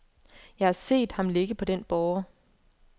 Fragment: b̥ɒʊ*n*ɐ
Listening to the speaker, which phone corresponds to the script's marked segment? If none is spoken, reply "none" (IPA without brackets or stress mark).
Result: none